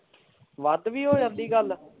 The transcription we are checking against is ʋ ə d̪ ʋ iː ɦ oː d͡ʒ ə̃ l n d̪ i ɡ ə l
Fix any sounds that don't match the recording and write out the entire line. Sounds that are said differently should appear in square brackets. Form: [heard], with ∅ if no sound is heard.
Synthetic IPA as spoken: ʋ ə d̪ ʋ iː ɦ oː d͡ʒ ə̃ [∅] n d̪ [iː] ɡ ə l

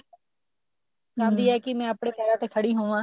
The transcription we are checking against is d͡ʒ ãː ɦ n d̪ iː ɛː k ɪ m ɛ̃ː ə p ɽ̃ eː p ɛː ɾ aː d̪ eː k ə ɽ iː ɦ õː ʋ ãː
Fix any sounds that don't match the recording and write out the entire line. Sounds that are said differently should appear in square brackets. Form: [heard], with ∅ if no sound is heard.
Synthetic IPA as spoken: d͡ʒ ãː [∅] n d̪ iː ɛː k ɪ m ɛ̃ː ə p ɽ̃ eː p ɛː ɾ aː [t̪] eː [kʰ] ə ɽ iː ɦ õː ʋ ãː

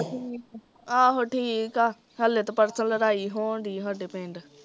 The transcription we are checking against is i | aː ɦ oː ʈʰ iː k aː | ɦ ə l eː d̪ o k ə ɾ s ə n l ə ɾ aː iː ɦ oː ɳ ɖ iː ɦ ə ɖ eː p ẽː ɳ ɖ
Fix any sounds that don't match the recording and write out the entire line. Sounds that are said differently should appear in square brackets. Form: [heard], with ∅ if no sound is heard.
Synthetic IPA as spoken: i | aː ɦ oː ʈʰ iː k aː | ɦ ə l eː [t̪] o [p] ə ɾ s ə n l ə ɾ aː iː ɦ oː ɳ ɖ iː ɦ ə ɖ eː p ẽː ɳ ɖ

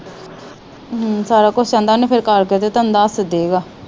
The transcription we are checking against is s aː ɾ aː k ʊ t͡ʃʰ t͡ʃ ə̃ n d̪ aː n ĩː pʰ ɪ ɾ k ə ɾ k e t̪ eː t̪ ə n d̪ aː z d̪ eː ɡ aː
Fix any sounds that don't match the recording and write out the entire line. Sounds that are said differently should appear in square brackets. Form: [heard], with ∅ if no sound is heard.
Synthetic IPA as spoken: s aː ɾ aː k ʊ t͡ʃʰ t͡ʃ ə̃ n d̪ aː n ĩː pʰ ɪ ɾ k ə ɾ k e t̪ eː t̪ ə n d̪ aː [s] d̪ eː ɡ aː

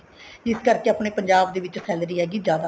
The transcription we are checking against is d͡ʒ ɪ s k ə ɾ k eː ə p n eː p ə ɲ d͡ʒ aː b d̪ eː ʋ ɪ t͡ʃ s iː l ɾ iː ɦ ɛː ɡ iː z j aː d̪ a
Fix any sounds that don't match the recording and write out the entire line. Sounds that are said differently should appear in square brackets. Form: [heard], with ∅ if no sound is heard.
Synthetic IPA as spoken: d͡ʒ ɪ s k ə ɾ k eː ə p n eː p ə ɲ d͡ʒ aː b d̪ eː ʋ ɪ t͡ʃ s [ɛː] l ɾ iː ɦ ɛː ɡ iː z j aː d̪ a

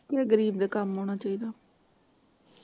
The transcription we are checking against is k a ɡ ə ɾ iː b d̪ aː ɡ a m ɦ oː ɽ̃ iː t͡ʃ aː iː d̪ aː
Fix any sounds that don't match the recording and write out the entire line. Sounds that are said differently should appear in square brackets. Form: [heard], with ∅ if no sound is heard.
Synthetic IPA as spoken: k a ɡ ə ɾ iː b d̪ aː [k] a m ɦ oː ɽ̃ [aː] t͡ʃ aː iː d̪ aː

